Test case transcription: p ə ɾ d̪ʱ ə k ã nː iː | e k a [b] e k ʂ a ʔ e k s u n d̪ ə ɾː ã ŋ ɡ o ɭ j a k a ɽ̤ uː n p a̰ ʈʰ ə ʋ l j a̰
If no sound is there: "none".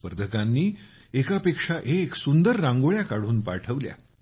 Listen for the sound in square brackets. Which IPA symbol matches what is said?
p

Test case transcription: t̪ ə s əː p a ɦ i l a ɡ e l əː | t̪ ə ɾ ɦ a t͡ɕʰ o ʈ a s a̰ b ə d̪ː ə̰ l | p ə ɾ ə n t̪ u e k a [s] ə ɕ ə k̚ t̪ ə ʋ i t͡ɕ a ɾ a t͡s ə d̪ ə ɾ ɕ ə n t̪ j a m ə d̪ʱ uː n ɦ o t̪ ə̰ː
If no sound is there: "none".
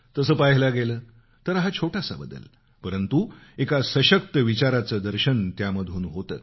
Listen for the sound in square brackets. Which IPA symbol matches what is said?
s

